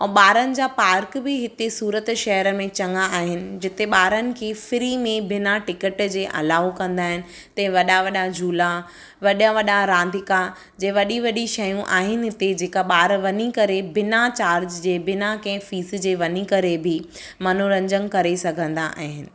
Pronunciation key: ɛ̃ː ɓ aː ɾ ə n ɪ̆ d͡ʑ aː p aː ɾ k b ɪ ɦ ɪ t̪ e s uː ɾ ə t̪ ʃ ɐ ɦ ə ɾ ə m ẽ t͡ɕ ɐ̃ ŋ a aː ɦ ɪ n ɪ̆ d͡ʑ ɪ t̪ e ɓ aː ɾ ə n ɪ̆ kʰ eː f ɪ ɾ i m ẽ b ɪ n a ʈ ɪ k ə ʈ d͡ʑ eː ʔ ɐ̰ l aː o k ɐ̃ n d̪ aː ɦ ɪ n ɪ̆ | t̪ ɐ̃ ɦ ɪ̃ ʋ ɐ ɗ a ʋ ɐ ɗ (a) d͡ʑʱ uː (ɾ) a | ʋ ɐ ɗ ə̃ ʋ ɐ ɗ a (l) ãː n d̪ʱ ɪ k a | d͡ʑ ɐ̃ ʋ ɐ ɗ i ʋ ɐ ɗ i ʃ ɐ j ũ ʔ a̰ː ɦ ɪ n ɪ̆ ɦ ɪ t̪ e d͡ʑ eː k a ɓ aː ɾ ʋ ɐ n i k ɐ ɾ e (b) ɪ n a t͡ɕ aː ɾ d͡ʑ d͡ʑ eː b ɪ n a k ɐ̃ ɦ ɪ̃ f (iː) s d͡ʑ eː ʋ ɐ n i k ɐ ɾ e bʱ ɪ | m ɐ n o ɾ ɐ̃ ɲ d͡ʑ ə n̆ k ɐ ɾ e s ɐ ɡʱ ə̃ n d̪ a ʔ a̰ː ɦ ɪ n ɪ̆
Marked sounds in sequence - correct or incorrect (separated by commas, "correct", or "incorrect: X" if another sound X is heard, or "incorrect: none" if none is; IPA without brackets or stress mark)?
correct, incorrect: l, incorrect: ɾ, correct, correct